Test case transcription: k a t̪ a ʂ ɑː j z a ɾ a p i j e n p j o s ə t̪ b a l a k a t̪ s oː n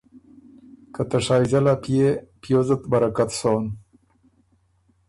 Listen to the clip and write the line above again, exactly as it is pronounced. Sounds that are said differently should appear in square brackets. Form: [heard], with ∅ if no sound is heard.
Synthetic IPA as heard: k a t̪ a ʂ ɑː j z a [l] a p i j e [∅] p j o [z] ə t̪ b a [ɾ] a k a t̪ s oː n